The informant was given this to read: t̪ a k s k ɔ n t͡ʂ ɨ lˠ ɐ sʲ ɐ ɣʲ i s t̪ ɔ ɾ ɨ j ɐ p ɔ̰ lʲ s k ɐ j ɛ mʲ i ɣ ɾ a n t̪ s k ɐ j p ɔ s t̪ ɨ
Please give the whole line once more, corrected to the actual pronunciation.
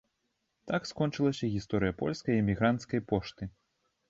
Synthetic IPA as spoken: t̪ a k s k ɔ n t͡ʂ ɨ lˠ ɐ sʲ ɐ ɣʲ i s t̪ ɔ ɾ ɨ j ɐ p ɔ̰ lʲ s k ɐ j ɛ mʲ i ɣ ɾ a n t̪ s k ɐ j p ɔ ʂ t̪ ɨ